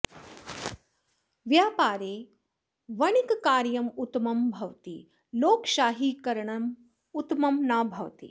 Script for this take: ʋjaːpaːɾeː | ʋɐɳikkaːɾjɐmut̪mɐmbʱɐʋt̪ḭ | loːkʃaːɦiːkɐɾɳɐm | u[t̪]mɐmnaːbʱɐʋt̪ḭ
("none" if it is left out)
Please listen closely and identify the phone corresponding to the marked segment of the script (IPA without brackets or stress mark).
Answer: t̪